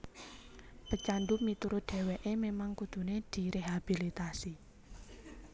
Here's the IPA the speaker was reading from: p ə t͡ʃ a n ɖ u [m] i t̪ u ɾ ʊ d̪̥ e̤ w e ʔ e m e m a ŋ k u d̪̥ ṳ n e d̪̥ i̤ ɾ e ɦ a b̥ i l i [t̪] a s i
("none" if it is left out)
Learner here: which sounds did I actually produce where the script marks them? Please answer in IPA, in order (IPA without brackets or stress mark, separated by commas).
m, t̪